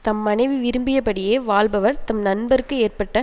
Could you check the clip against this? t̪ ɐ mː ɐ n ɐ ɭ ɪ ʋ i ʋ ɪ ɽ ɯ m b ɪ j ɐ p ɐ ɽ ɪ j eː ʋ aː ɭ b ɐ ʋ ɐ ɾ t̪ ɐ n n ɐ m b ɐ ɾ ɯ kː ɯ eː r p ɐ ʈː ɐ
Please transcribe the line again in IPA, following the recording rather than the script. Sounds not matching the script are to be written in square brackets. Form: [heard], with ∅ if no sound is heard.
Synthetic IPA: t̪ ɐ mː ɐ n ɐ [∅] ɪ ʋ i ʋ ɪ [ɾ] ɯ m b ɪ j ɐ p ɐ ɽ ɪ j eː ʋ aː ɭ b ɐ ʋ ɐ ɾ t̪ ɐ [m] n ɐ [n] b ɐ ɾ ɯ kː ɯ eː r p ɐ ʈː ɐ